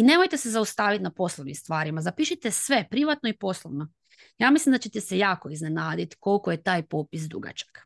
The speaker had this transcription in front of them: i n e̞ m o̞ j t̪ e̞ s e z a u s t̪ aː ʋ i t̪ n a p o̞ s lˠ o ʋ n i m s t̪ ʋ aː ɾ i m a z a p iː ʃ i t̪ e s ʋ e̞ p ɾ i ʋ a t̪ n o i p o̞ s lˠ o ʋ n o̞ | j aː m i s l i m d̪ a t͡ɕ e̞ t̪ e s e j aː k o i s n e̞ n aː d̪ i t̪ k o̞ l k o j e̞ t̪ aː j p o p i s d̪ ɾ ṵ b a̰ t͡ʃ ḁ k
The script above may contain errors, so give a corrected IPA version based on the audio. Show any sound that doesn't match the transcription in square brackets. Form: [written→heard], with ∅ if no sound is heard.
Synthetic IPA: i n e̞ m o̞ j t̪ e̞ s e z a u s t̪ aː ʋ i t̪ n a p o̞ s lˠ o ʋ n i m s t̪ ʋ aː ɾ i m a z a p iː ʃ i t̪ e s ʋ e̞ p ɾ i ʋ a t̪ n o i p o̞ s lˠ o ʋ n o̞ | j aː m i s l i m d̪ a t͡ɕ e̞ t̪ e s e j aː k o i [s→z] n e̞ n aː d̪ i t̪ k o̞ l k o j e̞ t̪ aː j p o p i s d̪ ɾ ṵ [b→ɡ] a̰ t͡ʃ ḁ k